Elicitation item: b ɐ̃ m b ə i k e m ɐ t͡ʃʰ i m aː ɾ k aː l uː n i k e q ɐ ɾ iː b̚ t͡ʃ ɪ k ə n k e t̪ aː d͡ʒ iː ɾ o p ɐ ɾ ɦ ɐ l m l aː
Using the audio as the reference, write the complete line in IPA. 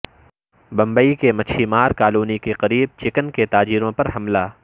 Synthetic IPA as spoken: b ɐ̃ m b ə i k e m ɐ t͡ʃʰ i m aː ɾ k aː l uː n i k e q ɐ ɾ iː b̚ t͡ʃ ɪ k ə n k e t̪ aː d͡ʒ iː ɾ õ p ɐ ɾ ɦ ɐ m l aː